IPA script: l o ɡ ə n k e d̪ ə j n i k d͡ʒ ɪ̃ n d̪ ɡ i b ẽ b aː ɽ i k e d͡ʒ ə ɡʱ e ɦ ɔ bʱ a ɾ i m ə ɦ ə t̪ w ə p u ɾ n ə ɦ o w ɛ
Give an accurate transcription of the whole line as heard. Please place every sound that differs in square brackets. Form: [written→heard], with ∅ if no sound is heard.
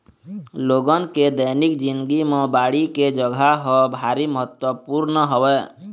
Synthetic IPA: l o ɡ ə n k e d̪ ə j n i k d͡ʒ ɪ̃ n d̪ ɡ i [b→m] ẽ b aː ɽ i k e d͡ʒ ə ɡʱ [e→a] ɦ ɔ bʱ a ɾ i m ə ɦ ə t̪ w ə p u ɾ n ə ɦ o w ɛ

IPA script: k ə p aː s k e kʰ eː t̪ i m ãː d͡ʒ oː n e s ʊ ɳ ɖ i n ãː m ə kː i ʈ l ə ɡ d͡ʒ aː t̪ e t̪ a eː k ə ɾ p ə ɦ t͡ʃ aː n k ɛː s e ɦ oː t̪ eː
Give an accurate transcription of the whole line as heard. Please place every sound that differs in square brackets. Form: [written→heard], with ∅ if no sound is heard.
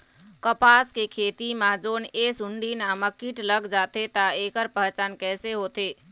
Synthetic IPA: k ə p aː s k e kʰ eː t̪ i m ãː d͡ʒ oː n e s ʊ ɳ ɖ i n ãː m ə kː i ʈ l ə ɡ d͡ʒ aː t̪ e t̪ a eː k ə ɾ p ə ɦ t͡ʃ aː n k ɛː s e ɦ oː t̪ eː

